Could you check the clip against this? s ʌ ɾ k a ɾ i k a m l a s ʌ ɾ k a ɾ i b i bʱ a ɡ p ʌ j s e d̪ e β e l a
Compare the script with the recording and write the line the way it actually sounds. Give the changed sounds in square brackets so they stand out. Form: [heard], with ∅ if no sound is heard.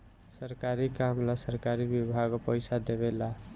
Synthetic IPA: s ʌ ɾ k a ɾ i k a m l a s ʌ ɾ k a ɾ i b i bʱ a ɡ p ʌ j s [a] d̪ e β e l a